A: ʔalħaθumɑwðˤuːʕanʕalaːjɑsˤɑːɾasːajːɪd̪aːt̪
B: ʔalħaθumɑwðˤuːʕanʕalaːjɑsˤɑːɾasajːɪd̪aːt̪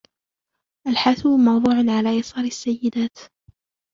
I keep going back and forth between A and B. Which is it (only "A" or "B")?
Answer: A